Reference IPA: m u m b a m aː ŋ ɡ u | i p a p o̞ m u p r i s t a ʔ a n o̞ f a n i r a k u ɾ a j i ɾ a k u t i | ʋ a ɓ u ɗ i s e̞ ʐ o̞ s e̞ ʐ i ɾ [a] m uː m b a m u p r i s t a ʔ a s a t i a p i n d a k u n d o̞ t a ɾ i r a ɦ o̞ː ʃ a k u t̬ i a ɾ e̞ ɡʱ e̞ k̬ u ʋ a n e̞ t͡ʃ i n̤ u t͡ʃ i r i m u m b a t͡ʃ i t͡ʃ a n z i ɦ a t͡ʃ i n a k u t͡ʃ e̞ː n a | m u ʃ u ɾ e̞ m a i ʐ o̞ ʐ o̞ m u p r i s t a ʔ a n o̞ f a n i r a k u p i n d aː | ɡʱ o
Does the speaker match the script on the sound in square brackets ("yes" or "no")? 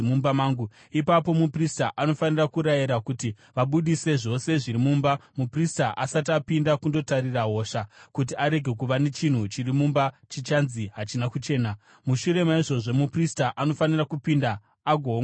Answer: no